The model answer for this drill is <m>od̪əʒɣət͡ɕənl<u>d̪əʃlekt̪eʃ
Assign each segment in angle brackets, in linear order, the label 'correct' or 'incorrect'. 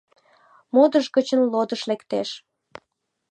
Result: correct, incorrect

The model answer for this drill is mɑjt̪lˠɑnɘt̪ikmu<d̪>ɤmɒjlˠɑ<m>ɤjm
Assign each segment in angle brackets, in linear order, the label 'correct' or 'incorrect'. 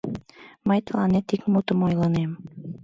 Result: incorrect, incorrect

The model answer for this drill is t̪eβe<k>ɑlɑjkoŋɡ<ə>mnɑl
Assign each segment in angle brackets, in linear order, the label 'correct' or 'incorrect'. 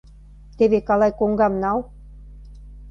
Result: correct, incorrect

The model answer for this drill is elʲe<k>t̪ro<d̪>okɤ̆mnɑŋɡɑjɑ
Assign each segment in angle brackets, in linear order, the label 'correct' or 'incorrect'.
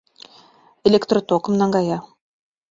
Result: correct, incorrect

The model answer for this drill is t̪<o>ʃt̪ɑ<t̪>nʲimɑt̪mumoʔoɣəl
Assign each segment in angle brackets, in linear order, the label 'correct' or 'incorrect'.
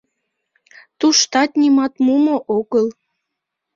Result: incorrect, correct

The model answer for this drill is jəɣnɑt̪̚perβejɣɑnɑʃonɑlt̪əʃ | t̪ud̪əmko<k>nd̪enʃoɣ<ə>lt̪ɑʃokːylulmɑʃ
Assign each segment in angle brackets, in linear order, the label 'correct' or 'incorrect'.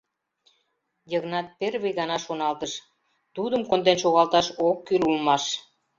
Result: incorrect, incorrect

